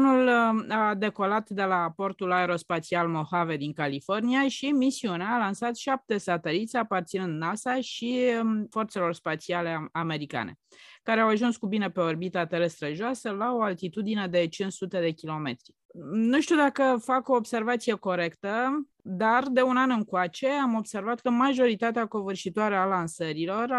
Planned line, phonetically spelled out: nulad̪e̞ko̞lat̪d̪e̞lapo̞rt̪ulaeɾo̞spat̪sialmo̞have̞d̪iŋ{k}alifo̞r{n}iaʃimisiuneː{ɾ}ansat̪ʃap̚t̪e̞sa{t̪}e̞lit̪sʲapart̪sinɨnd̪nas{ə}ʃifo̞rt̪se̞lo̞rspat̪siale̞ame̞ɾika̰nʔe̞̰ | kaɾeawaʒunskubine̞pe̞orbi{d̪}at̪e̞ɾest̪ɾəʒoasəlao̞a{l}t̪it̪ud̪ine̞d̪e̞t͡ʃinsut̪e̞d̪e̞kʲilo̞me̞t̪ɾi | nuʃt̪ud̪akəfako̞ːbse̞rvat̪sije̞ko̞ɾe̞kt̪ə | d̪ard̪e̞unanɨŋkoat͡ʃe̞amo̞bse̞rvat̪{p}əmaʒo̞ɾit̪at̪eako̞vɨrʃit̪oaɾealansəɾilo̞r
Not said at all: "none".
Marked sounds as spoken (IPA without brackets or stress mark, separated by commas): k, n, l, t̪, a, t̪, l, k